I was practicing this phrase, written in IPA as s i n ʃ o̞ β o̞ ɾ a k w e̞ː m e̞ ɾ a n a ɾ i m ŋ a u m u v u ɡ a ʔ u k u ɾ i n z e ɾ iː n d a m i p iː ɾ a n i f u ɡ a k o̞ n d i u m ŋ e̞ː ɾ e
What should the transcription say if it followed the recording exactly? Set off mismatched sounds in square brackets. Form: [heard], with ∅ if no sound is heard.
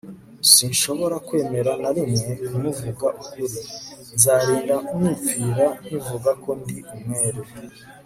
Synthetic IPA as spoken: s i n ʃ o̞ β o̞ ɾ a k w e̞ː m e̞ ɾ a n a ɾ i m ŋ [e] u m u v u ɡ a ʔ u k u ɾ i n z [a] ɾ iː n d a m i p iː ɾ a n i [v] u ɡ a k o̞ n d i u m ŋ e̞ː ɾ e